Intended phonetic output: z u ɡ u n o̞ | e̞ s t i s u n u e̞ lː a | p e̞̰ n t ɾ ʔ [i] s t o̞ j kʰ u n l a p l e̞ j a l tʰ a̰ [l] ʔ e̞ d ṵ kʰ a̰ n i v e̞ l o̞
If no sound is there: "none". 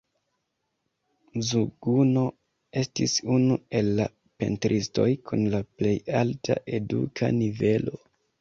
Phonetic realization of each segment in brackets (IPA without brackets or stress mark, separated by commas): i, none